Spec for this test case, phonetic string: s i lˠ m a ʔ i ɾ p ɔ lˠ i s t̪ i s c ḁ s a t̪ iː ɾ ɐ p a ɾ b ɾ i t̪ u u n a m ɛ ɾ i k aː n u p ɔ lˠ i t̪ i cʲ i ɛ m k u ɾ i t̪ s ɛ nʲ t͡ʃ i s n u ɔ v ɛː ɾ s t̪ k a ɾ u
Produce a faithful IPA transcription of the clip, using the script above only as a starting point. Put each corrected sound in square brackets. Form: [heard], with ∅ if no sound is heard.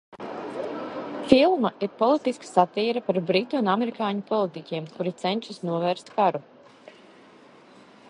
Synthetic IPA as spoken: [f] i lˠ m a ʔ i ɾ p ɔ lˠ i [∅] t̪ i s [k] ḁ s a t̪ iː ɾ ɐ p a ɾ b ɾ i t̪ u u n a m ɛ ɾ i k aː [ɲ] u p ɔ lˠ i t̪ i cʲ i ɛ m k u ɾ i t̪ s ɛ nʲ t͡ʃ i s n u ɔ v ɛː ɾ s t̪ k a ɾ u